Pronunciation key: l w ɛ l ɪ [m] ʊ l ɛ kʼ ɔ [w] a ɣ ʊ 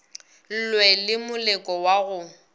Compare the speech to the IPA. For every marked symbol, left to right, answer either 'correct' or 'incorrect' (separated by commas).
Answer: correct, correct